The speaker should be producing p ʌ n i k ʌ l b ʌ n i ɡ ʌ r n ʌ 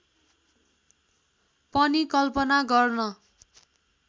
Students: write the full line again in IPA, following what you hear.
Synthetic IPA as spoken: p ʌ n i k ʌ l p ʌ n a ɡ ʌ r n ʌ